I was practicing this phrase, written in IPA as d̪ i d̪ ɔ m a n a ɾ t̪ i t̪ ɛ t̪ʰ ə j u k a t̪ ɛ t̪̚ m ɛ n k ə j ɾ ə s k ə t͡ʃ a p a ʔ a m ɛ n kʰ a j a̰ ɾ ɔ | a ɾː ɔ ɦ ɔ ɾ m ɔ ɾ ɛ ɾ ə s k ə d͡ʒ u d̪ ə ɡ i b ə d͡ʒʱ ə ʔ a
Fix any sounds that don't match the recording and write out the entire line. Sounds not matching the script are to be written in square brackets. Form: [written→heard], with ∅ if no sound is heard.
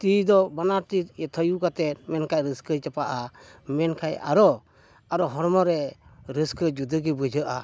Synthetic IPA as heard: [d̪→t̪] i d̪ ɔ [m→b] a n a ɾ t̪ i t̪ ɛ t̪ʰ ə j u k a t̪ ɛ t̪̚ m ɛ n k [ə→a] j ɾ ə s k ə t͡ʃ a p a ʔ a m ɛ n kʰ a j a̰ ɾ ɔ | a [ɾː→ɾ] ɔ ɦ ɔ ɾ m ɔ ɾ ɛ ɾ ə s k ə d͡ʒ u d̪ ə ɡ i b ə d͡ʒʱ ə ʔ a